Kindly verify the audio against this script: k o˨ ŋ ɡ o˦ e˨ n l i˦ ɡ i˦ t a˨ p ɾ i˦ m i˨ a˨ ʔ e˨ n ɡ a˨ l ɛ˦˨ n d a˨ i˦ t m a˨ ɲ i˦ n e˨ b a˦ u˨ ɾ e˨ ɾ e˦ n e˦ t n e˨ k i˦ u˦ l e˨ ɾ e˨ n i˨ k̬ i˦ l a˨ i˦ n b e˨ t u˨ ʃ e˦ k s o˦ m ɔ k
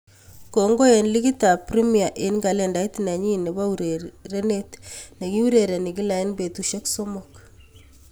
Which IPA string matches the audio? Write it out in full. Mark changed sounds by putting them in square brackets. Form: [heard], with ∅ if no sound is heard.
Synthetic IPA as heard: k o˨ ŋ ɡ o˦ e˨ n l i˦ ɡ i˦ t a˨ p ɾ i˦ m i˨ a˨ ʔ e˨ n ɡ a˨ l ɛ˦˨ n d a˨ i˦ t [n] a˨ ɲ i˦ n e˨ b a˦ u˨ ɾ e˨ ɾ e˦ n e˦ t n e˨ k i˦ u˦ [ɾ] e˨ ɾ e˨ n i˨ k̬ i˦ l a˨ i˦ n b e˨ t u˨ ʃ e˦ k s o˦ m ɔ k